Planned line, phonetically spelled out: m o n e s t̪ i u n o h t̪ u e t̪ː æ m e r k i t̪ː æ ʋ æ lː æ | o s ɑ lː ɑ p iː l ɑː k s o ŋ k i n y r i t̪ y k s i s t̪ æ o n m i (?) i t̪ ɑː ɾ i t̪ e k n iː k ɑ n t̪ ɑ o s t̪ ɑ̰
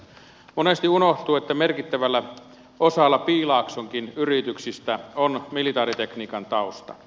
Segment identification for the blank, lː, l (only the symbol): l